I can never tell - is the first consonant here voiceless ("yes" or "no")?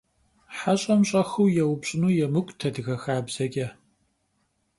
yes